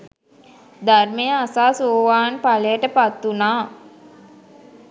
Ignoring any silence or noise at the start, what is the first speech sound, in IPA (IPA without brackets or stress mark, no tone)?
d̪